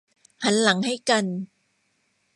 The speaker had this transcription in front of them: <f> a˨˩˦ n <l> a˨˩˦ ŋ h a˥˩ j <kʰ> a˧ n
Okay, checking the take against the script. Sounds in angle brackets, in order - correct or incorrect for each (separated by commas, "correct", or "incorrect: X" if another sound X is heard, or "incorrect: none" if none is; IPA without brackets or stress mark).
incorrect: h, correct, incorrect: k